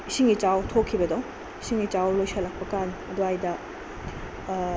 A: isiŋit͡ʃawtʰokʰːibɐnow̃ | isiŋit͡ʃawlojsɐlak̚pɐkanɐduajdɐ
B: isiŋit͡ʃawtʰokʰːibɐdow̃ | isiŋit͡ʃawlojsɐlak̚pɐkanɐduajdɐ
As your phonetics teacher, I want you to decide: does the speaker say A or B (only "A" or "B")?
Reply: B